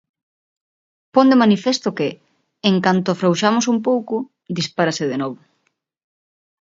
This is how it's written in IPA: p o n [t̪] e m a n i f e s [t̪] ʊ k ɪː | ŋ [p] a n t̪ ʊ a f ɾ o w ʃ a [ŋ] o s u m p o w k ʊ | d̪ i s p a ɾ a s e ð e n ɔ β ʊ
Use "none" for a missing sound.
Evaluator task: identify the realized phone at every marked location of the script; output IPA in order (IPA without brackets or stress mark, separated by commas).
d̪, t̪, k, m